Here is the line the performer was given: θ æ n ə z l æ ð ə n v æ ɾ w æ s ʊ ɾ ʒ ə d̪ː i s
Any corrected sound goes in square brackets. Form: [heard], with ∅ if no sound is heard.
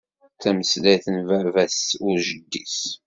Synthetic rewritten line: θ æ [m] ə [s] l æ [θ] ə n v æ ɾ [v] æ s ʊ ɾ ʒ ə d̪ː i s